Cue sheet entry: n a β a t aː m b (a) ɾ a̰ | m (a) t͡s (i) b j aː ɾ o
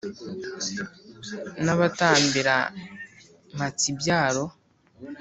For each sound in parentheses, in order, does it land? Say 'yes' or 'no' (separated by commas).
no, yes, yes